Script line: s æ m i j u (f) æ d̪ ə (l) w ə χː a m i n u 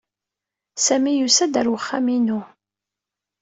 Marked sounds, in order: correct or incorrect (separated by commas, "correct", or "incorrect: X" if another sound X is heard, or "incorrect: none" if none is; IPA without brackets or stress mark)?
incorrect: s, incorrect: ɾ